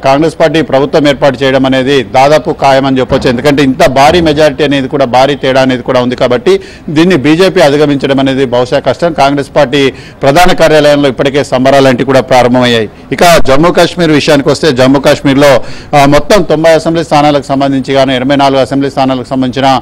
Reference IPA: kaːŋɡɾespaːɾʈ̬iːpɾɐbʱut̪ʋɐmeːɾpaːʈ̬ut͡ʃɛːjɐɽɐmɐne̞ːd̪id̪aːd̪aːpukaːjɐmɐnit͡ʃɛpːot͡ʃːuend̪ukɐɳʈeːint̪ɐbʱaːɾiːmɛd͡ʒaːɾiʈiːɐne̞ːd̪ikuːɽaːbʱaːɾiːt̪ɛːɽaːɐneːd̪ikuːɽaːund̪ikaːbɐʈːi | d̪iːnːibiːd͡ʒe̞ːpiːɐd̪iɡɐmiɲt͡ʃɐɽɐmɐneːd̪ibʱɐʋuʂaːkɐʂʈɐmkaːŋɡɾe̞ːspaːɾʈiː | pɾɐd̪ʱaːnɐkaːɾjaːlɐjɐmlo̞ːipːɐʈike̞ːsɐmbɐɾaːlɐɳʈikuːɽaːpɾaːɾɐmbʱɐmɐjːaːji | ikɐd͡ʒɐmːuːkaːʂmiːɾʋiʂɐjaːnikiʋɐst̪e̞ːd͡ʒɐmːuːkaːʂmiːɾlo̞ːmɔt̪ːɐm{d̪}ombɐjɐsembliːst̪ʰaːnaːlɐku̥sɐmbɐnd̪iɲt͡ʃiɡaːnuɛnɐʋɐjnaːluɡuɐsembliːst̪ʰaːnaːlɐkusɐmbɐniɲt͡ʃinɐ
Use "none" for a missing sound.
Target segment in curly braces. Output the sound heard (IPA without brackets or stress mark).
t̪